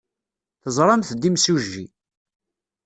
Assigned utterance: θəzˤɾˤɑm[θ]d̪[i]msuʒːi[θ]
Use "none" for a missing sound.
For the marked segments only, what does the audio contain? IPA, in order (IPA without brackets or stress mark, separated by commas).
θ, i, none